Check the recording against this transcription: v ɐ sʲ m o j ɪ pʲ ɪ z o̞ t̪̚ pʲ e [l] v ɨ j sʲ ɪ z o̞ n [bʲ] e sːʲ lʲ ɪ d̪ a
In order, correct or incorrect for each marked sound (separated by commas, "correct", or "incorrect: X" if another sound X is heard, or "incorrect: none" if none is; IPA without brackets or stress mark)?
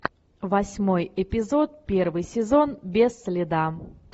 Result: incorrect: r, correct